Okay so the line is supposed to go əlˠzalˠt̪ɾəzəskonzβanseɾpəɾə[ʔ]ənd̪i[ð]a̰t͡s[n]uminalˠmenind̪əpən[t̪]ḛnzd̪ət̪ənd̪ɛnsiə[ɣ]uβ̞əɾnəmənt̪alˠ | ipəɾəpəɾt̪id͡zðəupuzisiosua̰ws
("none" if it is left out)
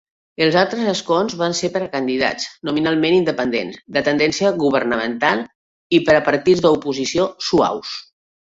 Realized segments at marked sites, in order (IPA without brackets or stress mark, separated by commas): k, ð, n, d̪, ɣ